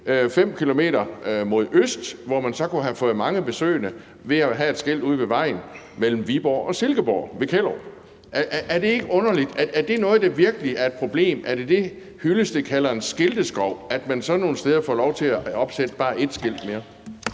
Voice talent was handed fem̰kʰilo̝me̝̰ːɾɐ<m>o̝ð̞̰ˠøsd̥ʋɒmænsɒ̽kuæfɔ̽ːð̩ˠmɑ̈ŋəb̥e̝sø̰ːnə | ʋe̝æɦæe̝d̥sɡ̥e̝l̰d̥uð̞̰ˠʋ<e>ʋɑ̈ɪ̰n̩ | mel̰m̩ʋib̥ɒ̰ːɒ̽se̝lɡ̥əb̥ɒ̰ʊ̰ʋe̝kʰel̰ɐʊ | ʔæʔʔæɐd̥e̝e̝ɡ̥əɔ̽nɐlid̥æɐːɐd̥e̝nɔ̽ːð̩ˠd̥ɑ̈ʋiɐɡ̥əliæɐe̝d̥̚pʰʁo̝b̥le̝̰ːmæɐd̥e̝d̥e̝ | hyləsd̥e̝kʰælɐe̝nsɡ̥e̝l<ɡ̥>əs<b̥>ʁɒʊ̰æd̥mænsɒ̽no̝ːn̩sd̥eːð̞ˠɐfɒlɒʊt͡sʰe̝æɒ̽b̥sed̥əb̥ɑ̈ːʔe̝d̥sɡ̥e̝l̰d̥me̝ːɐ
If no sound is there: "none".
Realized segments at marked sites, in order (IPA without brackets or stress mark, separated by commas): m, e, d̥, ɡ̥